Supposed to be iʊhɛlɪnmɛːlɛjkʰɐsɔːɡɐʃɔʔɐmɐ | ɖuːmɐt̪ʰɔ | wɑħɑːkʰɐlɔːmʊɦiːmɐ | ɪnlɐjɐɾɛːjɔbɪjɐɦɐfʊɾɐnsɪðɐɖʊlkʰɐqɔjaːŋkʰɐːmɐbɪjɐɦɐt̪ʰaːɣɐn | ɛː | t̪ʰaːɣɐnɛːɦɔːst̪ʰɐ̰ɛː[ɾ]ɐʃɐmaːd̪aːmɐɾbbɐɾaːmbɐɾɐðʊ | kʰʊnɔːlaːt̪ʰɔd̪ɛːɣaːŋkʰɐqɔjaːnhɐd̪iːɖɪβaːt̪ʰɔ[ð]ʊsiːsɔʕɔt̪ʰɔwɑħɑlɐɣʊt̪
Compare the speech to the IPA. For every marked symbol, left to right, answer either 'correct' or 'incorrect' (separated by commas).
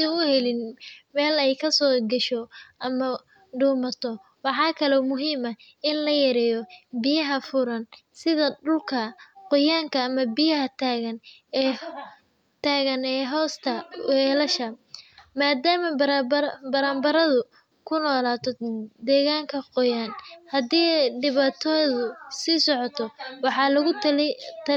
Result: incorrect, correct